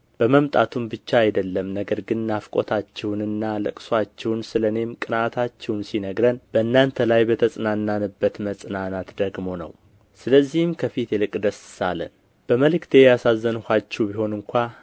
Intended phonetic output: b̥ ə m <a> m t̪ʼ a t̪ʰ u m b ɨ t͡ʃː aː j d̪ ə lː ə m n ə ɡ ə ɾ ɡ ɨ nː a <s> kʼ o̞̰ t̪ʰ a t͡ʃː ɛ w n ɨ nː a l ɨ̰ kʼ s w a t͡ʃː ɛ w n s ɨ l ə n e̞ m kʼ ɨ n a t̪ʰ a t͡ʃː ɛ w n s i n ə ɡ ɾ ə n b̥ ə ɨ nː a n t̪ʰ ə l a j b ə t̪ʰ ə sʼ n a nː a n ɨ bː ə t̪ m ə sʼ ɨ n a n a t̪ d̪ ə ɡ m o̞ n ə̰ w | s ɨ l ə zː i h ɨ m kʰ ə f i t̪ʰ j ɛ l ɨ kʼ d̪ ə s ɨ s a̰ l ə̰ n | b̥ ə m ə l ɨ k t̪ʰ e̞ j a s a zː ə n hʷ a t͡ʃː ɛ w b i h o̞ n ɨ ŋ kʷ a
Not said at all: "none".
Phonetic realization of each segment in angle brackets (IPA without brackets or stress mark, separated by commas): ə, f